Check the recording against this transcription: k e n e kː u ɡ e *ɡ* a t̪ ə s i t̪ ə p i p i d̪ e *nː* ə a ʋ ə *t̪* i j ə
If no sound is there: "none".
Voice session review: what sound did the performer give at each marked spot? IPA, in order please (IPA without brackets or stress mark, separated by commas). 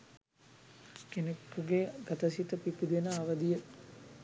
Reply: ɡ, n, d̪